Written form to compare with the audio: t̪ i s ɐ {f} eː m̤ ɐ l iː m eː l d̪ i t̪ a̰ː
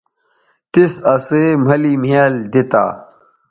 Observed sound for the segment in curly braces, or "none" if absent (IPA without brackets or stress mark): s